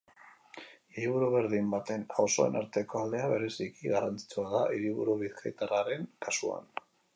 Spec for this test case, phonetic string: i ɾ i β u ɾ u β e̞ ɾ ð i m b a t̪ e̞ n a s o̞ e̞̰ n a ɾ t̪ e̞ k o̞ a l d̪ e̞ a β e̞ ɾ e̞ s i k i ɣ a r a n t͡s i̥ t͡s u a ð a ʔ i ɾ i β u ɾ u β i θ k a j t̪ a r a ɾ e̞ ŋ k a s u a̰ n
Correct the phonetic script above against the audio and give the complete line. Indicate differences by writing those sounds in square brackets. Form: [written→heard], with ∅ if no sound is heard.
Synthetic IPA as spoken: i ɾ i β u ɾ u β e̞ ɾ ð i m b a t̪ e̞ n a s o̞ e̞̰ n a ɾ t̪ e̞ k o̞ a l d̪ e̞ a β e̞ ɾ e̞ s i k i ɣ a r a n t͡s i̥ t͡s u a ð a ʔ i ɾ i β u ɾ u β i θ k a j t̪ a r a ɾ e̞ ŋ k a s u a̰ n